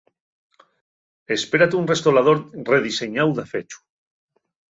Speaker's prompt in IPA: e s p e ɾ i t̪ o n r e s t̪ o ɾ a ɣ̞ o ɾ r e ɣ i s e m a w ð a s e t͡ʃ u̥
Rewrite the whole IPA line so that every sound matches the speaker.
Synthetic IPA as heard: e s p e ɾ a t̪ u n r e s t̪ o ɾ a ð̞ o ɾ r e ð i s e ɲ a w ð a f e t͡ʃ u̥